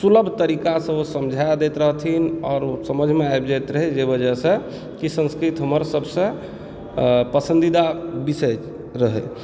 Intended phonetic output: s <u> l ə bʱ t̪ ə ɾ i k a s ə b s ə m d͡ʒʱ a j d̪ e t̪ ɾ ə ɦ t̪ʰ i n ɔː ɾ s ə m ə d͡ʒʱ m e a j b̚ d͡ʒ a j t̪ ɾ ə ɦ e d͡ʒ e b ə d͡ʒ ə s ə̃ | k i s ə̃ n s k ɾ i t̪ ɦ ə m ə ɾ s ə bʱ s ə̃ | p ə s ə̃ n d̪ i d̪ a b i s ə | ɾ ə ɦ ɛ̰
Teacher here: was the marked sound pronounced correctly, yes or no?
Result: yes